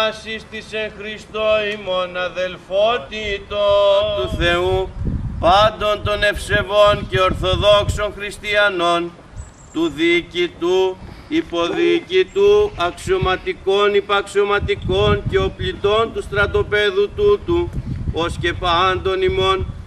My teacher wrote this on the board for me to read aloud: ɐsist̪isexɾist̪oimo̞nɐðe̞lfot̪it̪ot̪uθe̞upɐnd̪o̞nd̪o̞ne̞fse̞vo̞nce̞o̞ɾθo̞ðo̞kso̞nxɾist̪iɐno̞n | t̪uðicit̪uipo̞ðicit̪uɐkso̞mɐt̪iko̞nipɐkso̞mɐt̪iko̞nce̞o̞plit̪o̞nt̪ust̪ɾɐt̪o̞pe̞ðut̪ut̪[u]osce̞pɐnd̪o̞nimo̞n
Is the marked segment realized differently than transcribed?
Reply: no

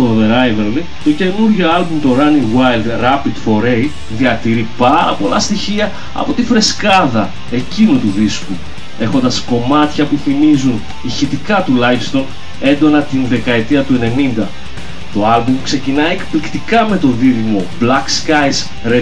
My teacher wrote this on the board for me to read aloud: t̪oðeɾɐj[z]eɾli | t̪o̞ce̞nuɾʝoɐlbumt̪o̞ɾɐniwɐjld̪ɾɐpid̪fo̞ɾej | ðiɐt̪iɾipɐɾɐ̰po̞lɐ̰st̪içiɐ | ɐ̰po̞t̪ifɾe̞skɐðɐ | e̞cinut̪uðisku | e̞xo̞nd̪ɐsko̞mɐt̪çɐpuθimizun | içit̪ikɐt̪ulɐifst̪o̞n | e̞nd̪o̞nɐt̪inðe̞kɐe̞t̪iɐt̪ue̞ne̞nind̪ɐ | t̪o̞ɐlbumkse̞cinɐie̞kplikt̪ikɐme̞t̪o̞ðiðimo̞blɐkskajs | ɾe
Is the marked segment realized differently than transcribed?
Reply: yes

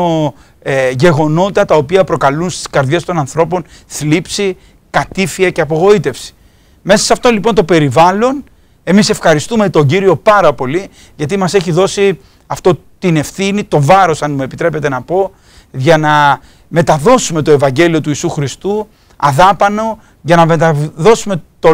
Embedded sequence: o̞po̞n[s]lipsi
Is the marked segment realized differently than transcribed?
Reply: yes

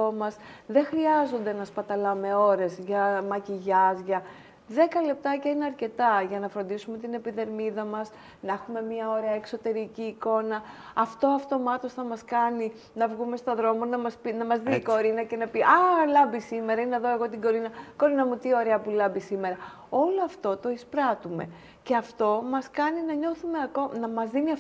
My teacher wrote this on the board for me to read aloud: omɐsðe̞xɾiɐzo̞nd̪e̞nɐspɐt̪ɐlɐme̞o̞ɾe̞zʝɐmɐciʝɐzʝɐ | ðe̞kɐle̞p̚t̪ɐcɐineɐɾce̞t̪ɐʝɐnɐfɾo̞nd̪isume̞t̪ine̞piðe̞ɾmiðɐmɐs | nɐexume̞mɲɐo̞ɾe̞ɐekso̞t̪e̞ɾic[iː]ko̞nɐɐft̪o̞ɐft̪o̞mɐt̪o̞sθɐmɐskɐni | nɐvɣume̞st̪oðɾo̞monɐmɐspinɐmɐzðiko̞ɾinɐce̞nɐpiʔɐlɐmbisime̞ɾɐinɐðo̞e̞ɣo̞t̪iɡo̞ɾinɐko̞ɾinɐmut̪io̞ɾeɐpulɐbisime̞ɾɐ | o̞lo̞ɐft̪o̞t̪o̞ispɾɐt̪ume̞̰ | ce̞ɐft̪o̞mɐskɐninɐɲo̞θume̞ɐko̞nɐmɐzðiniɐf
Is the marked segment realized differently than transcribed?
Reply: no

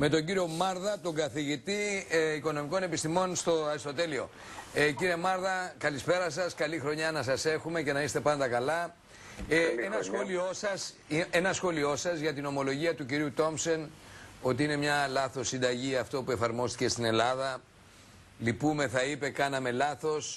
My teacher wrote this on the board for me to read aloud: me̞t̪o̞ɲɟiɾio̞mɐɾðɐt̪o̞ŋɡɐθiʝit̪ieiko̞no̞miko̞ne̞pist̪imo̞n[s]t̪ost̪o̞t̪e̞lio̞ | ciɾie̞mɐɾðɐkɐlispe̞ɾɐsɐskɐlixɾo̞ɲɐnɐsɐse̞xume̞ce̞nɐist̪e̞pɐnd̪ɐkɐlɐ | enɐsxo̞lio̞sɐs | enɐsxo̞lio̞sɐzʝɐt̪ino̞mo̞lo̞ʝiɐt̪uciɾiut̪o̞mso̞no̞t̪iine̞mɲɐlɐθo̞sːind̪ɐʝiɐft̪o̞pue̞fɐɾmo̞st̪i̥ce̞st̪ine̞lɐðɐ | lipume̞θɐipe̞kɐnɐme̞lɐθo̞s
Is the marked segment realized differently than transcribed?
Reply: no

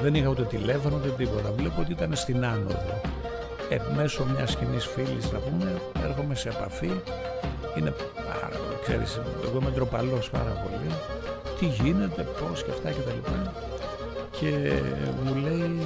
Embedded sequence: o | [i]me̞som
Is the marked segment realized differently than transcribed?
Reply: yes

